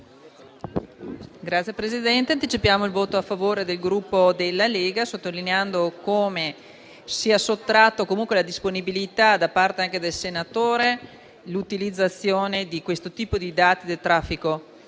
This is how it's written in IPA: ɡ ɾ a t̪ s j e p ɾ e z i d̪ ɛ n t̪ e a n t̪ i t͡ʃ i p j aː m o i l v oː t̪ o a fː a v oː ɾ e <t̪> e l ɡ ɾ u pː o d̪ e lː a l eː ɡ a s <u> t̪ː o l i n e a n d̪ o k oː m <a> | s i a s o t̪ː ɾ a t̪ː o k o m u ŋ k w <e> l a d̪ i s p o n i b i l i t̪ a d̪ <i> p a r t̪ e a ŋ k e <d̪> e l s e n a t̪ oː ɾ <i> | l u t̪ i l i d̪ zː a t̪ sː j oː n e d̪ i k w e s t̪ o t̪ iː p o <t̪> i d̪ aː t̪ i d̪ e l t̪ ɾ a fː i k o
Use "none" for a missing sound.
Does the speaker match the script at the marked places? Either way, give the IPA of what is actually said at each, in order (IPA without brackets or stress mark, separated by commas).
d̪, o, e, e, a, d̪, e, d̪